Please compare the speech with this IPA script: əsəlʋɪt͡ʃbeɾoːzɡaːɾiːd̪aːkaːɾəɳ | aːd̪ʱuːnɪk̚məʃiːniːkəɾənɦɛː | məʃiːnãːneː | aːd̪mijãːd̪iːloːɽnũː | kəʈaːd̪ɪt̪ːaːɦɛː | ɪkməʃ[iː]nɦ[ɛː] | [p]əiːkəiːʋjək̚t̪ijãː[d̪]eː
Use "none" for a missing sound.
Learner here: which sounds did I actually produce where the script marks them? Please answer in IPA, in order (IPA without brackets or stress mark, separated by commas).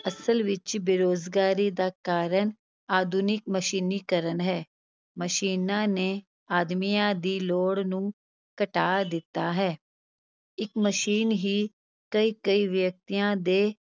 iː, iː, k, d̪